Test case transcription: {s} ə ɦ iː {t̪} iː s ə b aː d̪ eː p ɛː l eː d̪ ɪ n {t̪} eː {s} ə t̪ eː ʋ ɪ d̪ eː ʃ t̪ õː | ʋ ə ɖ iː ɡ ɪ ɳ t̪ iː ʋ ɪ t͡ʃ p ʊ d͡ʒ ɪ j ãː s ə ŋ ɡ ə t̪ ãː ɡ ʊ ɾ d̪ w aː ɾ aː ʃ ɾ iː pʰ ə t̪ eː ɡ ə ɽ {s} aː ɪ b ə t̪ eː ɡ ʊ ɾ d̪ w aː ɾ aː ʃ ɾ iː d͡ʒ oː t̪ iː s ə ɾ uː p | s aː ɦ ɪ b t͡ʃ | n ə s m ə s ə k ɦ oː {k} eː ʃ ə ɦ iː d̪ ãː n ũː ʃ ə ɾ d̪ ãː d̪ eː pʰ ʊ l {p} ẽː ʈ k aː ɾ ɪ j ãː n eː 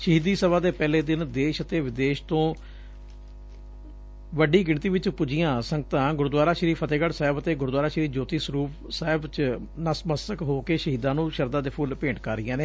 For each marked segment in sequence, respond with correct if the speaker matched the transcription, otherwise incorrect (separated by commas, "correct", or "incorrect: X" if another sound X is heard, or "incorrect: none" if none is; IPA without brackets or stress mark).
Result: incorrect: ʃ, incorrect: d̪, incorrect: d̪, incorrect: ʃ, correct, correct, correct